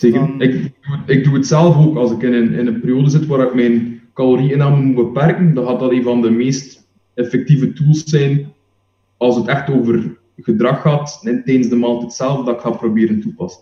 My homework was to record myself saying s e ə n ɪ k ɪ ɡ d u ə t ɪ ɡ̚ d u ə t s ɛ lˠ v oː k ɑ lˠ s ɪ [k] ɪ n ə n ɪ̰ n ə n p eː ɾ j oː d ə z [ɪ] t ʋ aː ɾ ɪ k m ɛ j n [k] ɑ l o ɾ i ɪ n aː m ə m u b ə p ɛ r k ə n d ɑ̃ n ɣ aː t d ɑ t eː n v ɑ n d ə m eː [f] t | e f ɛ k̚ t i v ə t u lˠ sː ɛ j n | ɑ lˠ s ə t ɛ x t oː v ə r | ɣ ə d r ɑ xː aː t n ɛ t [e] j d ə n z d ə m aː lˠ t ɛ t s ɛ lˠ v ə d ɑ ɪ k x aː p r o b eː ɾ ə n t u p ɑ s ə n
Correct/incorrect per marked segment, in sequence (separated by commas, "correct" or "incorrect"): correct, correct, correct, incorrect, incorrect